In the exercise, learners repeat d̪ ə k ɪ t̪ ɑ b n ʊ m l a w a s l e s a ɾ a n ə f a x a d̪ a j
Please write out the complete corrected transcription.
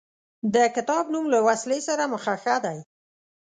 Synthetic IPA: d̪ ə k ɪ t̪ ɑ b n u m l a w a s l e s a ɾ a m ə x a x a d̪ a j